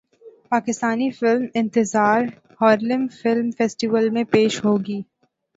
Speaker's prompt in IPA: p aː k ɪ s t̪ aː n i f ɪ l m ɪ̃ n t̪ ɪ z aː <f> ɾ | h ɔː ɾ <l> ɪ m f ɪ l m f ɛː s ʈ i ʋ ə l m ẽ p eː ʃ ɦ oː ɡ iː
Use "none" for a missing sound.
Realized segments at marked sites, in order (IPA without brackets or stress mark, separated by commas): none, l